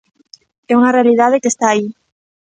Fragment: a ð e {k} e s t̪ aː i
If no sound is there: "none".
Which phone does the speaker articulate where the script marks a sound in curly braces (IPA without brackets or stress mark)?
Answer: k